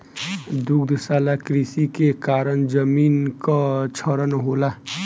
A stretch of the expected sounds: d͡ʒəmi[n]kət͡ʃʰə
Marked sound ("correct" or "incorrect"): correct